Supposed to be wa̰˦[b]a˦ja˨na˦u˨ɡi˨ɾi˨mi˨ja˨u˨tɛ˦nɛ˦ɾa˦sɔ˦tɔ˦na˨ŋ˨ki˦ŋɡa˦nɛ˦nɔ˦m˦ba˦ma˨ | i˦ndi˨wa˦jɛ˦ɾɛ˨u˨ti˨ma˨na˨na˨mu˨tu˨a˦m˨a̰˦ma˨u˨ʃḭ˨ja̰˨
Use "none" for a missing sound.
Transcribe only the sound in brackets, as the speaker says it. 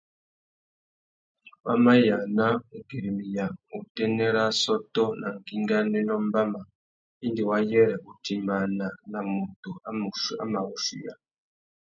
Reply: m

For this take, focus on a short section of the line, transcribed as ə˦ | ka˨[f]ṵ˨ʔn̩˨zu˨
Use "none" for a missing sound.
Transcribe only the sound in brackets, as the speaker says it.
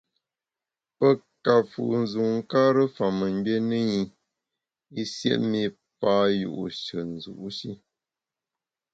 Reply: f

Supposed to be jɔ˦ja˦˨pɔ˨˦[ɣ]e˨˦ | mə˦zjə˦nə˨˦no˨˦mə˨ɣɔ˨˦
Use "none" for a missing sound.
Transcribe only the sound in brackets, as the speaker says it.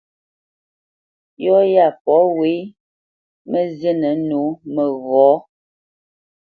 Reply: w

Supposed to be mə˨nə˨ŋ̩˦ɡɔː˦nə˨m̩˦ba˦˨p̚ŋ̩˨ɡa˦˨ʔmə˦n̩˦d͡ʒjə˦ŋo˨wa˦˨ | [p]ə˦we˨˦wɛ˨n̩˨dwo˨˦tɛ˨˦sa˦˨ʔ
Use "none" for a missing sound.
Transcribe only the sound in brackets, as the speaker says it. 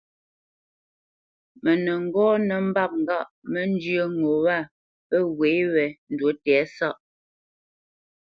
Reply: p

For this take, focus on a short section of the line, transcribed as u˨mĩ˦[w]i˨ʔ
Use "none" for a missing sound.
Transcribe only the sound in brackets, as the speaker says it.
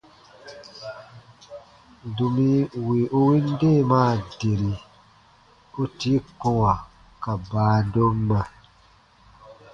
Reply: w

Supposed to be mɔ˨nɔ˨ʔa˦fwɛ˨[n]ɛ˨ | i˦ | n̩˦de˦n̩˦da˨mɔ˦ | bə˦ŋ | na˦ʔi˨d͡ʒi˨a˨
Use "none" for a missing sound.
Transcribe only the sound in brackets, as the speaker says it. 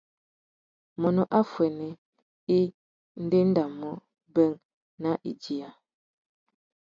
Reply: n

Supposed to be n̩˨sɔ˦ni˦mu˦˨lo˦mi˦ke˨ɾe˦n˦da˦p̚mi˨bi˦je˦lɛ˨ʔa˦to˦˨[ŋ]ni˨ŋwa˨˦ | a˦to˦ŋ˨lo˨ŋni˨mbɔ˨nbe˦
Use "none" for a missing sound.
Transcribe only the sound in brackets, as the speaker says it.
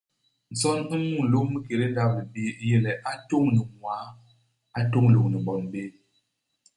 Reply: ŋ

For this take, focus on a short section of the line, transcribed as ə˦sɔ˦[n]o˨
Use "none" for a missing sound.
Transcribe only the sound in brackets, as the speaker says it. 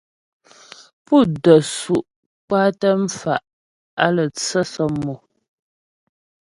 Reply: m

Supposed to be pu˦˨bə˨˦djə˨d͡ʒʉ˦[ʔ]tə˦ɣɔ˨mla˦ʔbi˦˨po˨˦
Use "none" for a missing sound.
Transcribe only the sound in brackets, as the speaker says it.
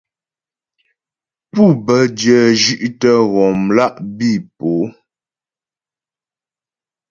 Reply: ʔ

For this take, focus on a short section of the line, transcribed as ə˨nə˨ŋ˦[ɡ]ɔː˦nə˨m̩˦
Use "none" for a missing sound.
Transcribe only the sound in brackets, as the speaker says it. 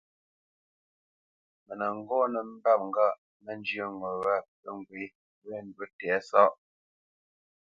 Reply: ɡ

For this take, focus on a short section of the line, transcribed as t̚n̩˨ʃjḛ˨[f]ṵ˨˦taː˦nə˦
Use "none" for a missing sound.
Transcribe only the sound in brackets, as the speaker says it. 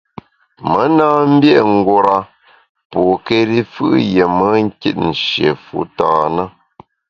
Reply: f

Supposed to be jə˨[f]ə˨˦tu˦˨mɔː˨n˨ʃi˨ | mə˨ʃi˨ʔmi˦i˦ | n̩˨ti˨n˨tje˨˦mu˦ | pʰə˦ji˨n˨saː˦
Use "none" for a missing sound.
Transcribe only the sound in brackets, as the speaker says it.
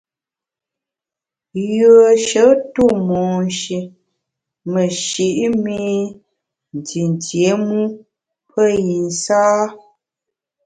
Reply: ʃ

